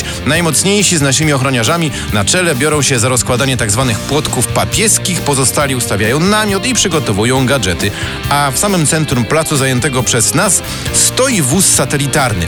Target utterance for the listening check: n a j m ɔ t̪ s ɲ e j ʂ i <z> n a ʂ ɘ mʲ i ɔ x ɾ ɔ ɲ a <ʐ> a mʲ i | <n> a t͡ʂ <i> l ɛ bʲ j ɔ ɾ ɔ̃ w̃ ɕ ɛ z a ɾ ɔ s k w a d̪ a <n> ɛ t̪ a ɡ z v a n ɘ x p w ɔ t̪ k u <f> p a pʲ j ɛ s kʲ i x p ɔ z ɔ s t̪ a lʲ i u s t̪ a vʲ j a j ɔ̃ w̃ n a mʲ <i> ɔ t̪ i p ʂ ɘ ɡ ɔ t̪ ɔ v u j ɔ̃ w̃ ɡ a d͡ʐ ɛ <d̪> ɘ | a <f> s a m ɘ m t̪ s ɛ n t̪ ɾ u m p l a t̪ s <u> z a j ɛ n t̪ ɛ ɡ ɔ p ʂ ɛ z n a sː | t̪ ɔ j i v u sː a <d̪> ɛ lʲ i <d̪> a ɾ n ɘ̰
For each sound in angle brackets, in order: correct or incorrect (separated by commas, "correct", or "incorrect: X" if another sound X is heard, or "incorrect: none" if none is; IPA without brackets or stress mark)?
correct, correct, correct, incorrect: ɛ, incorrect: ɲ, correct, incorrect: j, incorrect: t̪, correct, correct, incorrect: t̪, incorrect: t̪